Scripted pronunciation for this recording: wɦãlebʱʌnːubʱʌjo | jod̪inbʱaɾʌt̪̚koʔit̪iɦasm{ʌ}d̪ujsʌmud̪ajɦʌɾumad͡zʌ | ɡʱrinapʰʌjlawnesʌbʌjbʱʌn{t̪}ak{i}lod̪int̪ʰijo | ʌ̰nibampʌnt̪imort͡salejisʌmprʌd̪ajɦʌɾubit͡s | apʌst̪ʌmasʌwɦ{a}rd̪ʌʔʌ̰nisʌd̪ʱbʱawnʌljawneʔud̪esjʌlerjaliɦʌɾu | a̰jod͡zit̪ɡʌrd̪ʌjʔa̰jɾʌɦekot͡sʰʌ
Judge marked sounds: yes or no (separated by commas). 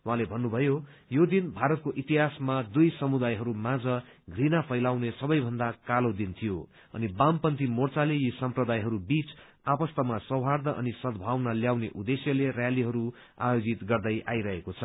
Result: no, no, no, yes